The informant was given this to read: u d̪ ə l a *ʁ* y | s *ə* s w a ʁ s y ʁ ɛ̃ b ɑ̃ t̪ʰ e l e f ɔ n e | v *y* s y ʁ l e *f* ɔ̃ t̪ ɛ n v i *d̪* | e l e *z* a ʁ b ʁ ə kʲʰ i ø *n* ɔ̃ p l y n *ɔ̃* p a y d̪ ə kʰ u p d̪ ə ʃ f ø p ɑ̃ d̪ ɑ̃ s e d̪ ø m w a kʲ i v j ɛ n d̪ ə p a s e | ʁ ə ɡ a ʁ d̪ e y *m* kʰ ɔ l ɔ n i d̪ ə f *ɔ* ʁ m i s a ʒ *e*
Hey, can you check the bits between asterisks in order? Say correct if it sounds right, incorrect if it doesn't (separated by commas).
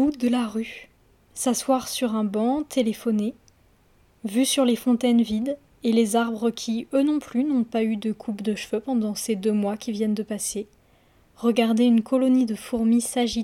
correct, incorrect, correct, correct, correct, correct, correct, correct, incorrect, incorrect, incorrect